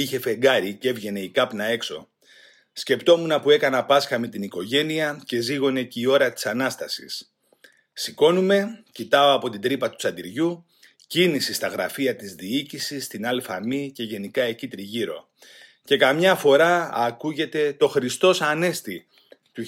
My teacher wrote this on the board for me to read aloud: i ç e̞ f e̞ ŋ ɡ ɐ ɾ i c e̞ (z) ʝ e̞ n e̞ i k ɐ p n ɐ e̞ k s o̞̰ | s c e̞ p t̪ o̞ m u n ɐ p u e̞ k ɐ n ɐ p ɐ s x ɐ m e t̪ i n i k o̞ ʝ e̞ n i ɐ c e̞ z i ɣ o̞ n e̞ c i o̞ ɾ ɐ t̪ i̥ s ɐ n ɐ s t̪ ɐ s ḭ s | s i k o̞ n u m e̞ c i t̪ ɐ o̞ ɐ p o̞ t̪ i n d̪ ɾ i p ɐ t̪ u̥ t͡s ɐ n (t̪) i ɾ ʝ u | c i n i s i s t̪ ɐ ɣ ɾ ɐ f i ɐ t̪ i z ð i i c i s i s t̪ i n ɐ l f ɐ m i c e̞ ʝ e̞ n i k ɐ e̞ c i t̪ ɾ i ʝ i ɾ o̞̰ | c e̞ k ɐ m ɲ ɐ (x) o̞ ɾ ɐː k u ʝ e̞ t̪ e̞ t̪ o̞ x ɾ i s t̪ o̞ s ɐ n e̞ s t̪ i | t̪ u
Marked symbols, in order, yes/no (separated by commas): no, no, no